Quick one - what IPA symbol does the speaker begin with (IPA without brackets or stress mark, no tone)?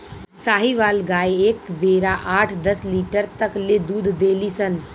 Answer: s